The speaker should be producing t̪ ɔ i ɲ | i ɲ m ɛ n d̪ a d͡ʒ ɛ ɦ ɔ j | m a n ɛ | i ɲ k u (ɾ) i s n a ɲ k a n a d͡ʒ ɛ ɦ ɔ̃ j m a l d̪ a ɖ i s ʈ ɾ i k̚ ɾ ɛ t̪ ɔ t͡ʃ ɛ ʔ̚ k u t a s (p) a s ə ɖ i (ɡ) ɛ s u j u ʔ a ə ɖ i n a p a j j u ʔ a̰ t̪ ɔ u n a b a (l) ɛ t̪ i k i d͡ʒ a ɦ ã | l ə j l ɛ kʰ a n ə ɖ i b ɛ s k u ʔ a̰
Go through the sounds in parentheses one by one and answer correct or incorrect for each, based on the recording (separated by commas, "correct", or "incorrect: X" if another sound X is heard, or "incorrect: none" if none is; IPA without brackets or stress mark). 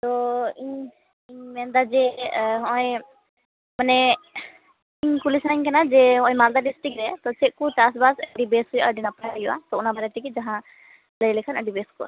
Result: incorrect: l, incorrect: b, incorrect: b, incorrect: ɾ